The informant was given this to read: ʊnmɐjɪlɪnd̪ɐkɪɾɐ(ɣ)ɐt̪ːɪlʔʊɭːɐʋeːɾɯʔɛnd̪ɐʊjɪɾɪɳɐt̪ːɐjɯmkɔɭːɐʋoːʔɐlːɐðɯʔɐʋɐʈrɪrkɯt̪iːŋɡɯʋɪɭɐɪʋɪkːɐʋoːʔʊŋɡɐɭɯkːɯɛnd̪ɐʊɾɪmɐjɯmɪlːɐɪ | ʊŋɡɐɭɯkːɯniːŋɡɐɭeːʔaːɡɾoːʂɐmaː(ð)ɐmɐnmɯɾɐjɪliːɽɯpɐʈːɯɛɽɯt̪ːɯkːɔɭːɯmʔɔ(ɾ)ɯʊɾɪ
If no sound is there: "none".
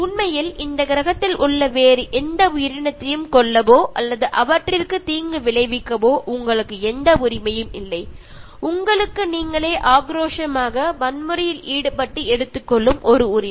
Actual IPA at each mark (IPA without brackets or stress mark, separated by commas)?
ɣ, ɣ, ɾ